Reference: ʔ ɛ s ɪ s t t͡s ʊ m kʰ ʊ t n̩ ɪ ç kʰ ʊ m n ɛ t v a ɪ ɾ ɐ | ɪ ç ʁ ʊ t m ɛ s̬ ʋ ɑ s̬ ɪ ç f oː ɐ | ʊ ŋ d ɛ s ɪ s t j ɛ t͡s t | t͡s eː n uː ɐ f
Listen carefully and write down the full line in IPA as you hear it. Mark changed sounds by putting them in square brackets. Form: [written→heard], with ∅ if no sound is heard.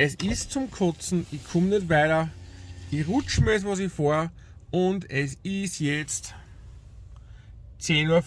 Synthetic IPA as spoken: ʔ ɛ s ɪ s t t͡s ʊ m kʰ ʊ [t→t͡s] n̩ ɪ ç kʰ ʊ m n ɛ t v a ɪ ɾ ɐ | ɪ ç ʁ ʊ [t→t͡ʃ] m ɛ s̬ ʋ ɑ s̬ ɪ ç f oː ɐ | ʊ [ŋ→n] d ɛ s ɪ s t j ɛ t͡s t | t͡s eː n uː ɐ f